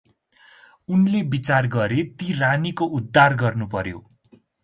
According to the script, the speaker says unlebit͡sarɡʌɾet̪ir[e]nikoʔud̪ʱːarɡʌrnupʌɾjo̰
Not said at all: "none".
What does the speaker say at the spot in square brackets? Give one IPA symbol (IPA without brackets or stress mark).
a